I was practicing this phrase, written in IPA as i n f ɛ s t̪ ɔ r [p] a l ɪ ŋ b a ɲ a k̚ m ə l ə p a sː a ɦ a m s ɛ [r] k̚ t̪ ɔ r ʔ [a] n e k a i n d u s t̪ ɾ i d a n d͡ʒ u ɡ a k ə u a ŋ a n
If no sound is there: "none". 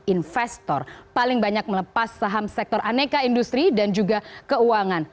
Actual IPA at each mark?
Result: p, none, a

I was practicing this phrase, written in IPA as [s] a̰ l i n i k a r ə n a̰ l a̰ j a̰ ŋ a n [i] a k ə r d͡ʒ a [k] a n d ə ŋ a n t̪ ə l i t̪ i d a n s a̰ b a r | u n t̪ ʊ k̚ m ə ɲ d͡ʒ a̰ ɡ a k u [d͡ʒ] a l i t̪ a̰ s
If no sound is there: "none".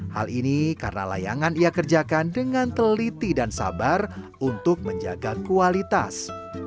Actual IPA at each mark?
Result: h, i, k, none

